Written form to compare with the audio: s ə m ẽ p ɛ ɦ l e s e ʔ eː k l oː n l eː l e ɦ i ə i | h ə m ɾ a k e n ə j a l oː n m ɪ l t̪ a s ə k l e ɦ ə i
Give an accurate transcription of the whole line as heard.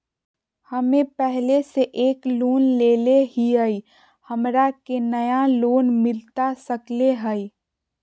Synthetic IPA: h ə m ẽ p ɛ ɦ l e s e ʔ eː k l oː n l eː l e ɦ i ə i | h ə m ɾ a k e n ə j a l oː n m ɪ l t̪ a s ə k l e ɦ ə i